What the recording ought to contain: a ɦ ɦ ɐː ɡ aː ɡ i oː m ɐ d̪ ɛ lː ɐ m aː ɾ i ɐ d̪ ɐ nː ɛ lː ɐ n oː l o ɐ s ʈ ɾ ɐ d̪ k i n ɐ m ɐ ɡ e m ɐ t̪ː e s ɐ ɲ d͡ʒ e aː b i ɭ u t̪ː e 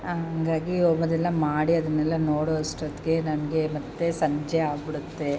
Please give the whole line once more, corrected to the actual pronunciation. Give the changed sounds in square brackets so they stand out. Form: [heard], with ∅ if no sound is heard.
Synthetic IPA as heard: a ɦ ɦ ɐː ɡ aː ɡ i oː m ɐ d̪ ɛ lː ɐ m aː [ɽ] i ɐ d̪ ɐ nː ɛ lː ɐ n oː [ɽ] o ɐ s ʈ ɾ ɐ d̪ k [e] n ɐ m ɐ ɡ e m ɐ t̪ː e s ɐ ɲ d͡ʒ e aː b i [ɽ] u t̪ː e